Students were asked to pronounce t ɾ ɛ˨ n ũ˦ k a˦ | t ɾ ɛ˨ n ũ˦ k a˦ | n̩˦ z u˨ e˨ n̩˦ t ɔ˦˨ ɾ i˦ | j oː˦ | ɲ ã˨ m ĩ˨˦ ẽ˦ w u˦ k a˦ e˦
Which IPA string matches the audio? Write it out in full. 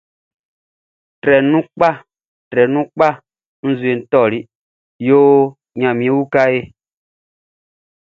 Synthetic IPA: t ɾ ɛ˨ n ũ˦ k͡p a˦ | t ɾ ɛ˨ n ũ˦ k͡p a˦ | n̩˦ z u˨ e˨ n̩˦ t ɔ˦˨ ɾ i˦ | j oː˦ | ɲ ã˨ m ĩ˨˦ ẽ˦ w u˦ k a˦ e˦